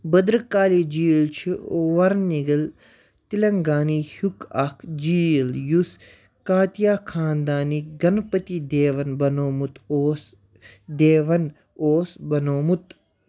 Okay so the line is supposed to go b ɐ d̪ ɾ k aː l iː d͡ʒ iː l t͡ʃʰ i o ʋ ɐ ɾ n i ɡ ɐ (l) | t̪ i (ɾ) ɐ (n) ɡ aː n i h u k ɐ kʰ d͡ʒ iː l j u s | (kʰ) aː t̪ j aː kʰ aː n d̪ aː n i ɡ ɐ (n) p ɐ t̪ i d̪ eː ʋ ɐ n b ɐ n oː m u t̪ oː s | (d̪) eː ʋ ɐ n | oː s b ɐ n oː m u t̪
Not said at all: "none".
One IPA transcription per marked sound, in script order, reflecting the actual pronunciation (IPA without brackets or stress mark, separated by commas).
l, l, ŋ, k, n, d̪